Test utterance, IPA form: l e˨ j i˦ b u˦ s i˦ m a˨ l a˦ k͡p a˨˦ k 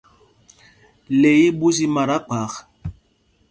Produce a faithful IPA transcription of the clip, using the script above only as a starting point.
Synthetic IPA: l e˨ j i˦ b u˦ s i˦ m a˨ ɾ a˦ k͡p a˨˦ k